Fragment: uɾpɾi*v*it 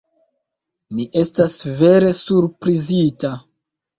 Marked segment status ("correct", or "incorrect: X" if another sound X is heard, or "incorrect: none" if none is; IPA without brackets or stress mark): incorrect: z